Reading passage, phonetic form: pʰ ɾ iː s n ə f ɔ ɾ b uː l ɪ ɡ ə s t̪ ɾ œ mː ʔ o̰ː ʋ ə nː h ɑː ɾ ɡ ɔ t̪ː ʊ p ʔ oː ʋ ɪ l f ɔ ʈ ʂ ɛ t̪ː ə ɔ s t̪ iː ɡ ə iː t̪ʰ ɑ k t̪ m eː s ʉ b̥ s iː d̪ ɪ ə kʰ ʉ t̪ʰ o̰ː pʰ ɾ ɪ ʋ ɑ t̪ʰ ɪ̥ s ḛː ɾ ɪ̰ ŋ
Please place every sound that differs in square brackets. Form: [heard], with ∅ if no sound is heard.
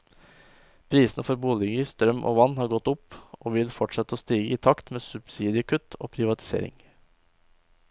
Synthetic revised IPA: pʰ ɾ iː s n ə f ɔ ɾ b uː l ɪ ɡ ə s t̪ ɾ œ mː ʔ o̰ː ʋ [ɑ] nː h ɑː ɾ ɡ ɔ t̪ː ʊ p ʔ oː ʋ ɪ l f ɔ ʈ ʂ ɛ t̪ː ə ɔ s t̪ iː ɡ ə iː t̪ʰ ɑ k t̪ m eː s ʉ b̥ s iː d̪ ɪ ə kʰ ʉ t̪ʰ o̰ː pʰ ɾ ɪ ʋ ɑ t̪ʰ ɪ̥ s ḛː ɾ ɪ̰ ŋ